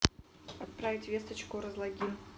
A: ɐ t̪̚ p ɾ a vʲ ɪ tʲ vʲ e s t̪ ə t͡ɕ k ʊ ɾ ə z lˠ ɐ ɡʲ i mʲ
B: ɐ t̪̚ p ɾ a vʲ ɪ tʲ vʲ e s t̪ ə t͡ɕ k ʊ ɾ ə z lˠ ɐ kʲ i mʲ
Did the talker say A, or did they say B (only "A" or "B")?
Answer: A